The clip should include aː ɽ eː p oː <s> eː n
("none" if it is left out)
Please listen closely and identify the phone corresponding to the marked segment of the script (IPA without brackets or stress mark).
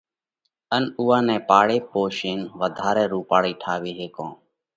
ʃ